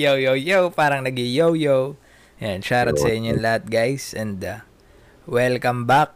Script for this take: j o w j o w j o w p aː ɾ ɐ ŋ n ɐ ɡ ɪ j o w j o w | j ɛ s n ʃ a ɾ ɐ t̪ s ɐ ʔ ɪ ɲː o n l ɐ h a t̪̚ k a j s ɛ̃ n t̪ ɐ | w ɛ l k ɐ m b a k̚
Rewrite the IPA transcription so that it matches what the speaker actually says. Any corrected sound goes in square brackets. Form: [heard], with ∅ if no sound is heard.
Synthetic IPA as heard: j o w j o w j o w p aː ɾ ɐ ŋ n ɐ ɡ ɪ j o w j o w | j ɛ [∅] n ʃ a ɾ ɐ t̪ s ɐ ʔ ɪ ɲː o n l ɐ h a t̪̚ [ɡ] a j s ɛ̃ n [d̪] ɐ | w ɛ l k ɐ m b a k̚